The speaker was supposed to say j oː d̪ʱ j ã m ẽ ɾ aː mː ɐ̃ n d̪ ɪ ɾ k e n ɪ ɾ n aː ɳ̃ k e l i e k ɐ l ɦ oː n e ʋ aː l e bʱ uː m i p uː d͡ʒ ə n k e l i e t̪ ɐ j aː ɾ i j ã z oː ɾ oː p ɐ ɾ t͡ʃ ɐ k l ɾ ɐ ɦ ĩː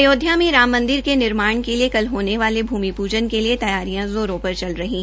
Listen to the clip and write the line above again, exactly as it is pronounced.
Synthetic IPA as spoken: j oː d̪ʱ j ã m ẽ ɾ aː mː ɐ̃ n d̪ ɪ ɾ k e n ɪ ɾ m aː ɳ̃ k e l i e k ɐ l ɦ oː n e ʋ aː l e bʱ uː m i p uː d͡ʒ ə n k e l i e t̪ ɐ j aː ɾ i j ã z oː ɾ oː p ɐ ɾ t͡ʃ ɐ l ɾ ɐ ɦ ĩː